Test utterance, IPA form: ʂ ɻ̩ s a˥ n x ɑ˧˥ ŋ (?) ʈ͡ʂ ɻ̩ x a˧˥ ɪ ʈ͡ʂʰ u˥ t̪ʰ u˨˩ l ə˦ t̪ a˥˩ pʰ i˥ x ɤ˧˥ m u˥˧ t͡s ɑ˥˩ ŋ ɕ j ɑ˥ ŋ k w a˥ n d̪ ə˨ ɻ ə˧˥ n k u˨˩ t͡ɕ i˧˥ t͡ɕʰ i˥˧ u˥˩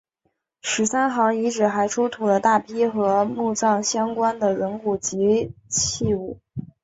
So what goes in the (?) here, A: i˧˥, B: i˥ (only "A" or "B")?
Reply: A